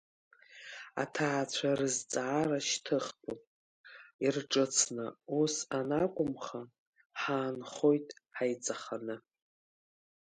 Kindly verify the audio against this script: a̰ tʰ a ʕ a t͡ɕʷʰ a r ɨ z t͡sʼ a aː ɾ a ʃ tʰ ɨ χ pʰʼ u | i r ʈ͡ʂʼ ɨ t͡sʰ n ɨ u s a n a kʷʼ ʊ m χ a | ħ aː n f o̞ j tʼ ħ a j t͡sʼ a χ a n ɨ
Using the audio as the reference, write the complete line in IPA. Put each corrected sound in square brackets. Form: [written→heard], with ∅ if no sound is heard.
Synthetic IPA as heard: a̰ tʰ a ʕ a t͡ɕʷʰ a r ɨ z t͡sʼ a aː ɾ a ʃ tʰ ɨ χ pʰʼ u | i r ʈ͡ʂʼ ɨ t͡sʰ n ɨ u s a n a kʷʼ ʊ m χ a | ħ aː n [f→χ] o̞ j tʼ ħ a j t͡sʼ a χ a n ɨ